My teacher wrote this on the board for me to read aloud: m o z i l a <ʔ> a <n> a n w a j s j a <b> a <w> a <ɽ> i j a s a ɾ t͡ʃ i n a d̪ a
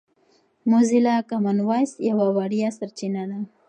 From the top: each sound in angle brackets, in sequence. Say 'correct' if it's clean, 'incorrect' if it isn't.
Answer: incorrect, incorrect, incorrect, correct, correct

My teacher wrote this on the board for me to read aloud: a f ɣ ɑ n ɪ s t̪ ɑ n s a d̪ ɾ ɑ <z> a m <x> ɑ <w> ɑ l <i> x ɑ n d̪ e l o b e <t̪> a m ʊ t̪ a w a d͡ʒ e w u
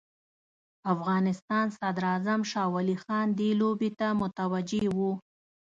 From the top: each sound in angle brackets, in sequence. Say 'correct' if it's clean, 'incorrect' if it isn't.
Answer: correct, incorrect, correct, correct, correct

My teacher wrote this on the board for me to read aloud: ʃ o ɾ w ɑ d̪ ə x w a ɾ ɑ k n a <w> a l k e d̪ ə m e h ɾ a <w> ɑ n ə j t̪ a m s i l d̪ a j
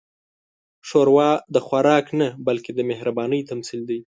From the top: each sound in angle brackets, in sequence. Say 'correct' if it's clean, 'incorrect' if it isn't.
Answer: incorrect, incorrect

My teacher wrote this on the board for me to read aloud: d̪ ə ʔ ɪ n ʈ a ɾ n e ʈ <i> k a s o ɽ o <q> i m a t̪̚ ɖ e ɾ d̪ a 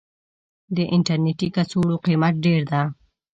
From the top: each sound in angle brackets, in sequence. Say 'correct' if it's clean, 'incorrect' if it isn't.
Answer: correct, correct

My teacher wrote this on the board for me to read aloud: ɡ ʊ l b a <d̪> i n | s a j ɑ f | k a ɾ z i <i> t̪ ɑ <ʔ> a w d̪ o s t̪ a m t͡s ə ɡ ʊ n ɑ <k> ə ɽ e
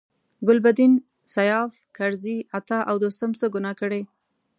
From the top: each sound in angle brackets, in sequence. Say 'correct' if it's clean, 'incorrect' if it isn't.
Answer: correct, incorrect, correct, correct

